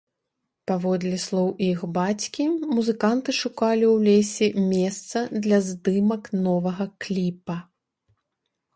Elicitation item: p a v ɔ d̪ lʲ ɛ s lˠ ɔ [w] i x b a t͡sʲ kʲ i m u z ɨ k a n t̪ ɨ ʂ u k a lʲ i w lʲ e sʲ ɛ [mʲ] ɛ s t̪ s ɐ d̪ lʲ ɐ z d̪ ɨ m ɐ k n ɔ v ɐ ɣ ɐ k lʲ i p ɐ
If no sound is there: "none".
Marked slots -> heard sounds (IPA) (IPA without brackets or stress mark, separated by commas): w, mʲ